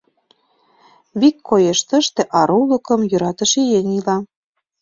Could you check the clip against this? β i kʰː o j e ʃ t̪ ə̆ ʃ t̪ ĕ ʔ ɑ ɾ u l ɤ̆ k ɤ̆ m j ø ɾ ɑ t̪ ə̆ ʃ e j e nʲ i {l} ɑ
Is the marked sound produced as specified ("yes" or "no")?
yes